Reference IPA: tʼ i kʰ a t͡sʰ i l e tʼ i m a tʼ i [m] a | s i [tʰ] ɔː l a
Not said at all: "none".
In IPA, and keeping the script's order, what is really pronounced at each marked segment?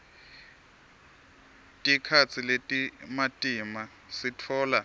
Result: m, tʰ

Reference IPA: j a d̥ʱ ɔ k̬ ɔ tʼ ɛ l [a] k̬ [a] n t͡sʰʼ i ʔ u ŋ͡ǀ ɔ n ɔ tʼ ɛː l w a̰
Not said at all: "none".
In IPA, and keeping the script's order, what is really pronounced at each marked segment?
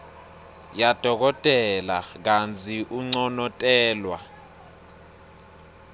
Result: a, a

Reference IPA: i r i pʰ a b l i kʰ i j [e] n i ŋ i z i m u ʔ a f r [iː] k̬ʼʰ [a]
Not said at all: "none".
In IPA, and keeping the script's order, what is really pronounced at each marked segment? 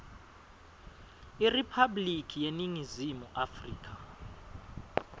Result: e, iː, a

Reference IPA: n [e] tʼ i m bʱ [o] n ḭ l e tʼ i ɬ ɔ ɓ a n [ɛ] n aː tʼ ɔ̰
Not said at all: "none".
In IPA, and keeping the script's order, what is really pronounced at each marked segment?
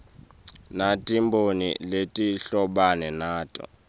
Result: a, o, ɛ

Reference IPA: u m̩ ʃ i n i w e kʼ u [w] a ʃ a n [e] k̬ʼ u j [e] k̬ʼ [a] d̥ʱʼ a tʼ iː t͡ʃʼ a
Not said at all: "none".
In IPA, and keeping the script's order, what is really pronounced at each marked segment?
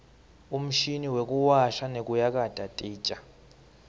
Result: w, e, a, a

